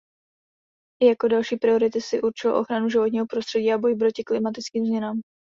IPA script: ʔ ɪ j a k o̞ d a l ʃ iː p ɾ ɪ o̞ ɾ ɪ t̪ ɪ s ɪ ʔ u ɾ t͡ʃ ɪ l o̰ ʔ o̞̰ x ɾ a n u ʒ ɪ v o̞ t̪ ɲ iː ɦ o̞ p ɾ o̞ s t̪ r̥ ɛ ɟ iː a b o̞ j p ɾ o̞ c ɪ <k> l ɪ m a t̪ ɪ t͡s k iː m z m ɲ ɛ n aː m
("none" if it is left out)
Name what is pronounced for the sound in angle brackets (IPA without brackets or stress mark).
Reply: k